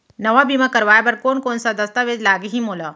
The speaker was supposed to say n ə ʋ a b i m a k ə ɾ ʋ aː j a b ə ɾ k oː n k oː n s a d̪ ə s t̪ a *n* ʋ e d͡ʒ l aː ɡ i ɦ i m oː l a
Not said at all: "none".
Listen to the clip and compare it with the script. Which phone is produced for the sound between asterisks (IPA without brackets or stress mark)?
none